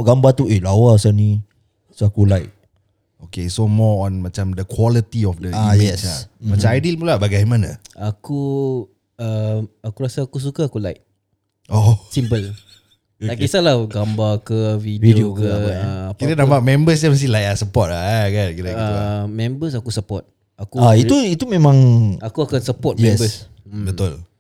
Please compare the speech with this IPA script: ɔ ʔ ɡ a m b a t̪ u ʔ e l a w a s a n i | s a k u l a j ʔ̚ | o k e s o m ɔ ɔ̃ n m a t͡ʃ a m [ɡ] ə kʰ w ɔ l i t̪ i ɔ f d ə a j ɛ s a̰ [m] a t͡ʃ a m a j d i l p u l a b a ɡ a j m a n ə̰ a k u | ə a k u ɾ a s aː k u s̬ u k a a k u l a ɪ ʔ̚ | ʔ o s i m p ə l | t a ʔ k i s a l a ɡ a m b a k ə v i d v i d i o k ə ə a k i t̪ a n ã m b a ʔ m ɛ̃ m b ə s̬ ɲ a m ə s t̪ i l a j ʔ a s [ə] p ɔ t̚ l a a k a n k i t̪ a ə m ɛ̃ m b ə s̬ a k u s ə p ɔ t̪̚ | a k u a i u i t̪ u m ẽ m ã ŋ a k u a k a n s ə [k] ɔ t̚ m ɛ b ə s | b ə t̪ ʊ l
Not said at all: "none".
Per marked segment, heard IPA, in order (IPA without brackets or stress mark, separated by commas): d, m, ə, p